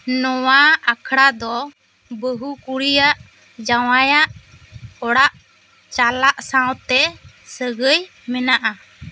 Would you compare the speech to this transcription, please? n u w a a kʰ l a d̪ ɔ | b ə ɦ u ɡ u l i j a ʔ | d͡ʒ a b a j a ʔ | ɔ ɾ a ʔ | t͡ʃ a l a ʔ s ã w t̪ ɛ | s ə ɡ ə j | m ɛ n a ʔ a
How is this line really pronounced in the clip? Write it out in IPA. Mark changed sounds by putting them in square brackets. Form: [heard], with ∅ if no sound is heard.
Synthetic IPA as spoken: n [ɔ] w a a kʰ [ɽ] a d̪ ɔ | b ə ɦ u [k] u [ɽ] i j a ʔ | d͡ʒ a [w] a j a ʔ | ɔ [ɽ] a ʔ | t͡ʃ a l a ʔ s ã w t̪ ɛ | s ə ɡ ə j | m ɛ n a ʔ a